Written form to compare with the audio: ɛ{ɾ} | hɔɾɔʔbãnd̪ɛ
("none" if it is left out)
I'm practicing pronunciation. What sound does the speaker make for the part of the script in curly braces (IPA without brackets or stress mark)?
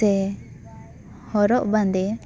none